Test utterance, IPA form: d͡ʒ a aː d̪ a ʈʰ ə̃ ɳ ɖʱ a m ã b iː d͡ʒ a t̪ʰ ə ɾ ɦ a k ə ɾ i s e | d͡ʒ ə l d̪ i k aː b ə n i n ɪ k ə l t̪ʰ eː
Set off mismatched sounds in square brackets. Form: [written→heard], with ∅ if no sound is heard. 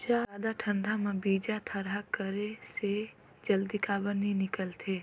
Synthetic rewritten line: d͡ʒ a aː d̪ a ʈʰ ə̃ ɳ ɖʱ a m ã b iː d͡ʒ a t̪ʰ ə ɾ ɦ a k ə ɾ [i→e] s e | d͡ʒ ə l d̪ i k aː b ə n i n ɪ k ə l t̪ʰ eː